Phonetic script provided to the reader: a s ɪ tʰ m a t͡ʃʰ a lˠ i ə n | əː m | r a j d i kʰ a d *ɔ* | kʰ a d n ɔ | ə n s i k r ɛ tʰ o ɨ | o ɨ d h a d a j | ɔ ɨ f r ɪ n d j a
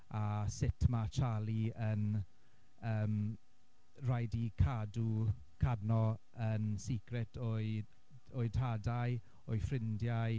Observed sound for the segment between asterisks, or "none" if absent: u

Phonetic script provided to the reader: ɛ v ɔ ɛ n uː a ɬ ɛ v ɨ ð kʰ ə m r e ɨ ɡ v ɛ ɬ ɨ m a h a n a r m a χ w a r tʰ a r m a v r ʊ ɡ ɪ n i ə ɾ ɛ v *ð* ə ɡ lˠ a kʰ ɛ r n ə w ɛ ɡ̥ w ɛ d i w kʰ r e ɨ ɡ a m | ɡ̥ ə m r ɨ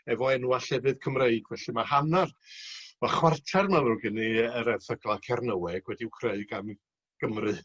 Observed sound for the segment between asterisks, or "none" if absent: θ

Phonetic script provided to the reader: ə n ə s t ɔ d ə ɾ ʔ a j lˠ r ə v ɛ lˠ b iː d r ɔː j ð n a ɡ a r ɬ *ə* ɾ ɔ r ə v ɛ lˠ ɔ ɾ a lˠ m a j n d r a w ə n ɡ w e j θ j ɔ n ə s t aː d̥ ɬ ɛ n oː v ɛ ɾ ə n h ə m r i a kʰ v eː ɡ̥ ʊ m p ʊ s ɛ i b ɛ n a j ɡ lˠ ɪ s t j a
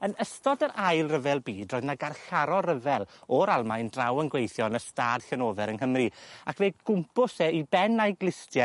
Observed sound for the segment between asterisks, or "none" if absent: a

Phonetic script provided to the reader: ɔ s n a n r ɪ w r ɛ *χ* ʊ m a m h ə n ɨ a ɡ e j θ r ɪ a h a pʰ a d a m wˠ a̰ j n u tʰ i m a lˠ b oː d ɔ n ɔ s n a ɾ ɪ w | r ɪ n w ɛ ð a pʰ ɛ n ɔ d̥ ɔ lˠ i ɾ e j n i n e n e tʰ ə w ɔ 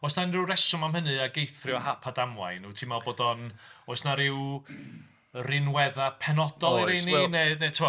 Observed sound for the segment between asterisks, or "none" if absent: s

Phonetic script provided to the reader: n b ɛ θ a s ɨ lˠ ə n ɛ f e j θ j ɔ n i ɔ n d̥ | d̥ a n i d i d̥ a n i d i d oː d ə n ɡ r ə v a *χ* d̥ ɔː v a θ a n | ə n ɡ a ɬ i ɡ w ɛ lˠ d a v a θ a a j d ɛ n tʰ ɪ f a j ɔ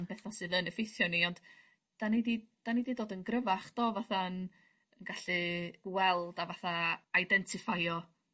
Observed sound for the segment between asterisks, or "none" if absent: χ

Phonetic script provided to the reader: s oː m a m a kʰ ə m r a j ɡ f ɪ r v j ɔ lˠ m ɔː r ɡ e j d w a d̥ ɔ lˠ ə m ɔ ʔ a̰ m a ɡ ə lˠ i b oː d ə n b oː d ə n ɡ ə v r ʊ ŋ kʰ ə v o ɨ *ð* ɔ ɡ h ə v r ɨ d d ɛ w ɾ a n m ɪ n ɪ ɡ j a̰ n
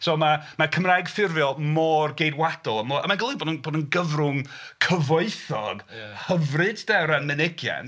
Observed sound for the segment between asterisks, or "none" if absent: θ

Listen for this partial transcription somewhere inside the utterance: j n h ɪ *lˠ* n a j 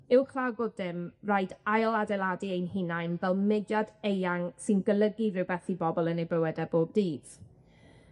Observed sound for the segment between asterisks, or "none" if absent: none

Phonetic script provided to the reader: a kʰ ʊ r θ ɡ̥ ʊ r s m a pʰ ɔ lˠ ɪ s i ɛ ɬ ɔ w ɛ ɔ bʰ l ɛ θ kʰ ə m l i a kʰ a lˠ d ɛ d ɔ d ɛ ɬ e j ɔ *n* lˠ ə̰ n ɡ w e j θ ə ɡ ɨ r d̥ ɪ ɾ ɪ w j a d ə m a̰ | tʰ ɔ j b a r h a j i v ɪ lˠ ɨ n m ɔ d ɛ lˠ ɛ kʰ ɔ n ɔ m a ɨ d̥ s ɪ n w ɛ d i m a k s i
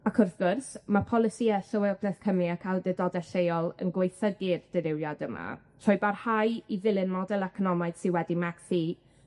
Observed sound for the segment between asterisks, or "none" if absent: none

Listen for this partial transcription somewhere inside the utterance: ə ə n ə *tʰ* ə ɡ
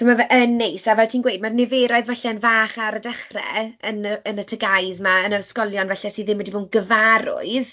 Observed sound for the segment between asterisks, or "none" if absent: tʰ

